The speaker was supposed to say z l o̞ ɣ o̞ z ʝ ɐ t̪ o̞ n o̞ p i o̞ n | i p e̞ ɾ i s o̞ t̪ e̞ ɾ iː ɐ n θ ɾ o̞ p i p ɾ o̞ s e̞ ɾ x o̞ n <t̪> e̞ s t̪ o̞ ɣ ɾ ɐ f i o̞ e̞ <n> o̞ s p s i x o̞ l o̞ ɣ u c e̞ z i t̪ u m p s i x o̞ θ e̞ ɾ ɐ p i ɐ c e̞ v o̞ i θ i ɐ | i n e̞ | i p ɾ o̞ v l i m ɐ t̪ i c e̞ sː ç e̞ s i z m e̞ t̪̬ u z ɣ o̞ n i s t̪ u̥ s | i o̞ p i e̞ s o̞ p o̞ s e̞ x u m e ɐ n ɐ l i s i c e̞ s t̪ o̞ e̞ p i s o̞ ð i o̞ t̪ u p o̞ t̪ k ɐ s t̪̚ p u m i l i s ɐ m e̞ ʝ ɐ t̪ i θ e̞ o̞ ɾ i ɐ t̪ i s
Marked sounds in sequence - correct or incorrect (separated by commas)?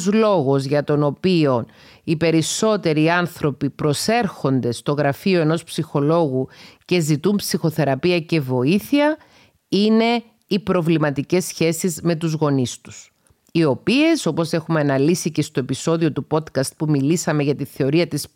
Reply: incorrect, correct